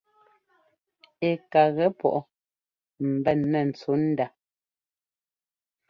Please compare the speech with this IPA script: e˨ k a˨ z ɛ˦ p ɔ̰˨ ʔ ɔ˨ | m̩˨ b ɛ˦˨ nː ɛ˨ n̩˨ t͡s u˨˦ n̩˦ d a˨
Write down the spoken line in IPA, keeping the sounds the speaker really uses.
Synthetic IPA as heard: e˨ k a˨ ɣ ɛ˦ p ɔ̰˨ ʔ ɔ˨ | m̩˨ b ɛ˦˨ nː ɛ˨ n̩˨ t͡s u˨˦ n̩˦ d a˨